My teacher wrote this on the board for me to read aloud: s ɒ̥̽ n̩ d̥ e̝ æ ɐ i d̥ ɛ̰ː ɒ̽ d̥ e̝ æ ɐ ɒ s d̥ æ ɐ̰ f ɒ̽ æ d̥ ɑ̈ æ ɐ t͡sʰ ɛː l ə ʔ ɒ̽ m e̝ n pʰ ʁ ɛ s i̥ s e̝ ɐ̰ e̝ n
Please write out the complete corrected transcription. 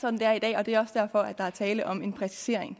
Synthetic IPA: s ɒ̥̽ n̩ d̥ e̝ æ ɐ i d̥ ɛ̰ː ɒ̽ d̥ e̝ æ ɐ ɒ s d̥ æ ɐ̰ f ɒ̽ æ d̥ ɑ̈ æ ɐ t͡sʰ ɛː l ə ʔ ɒ̽ m e̝ n pʰ ʁ ɛ s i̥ s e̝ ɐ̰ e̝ ŋ